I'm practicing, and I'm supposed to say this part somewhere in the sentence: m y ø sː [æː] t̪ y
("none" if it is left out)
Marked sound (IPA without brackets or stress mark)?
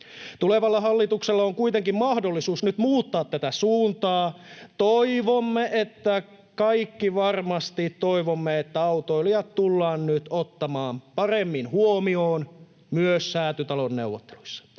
æː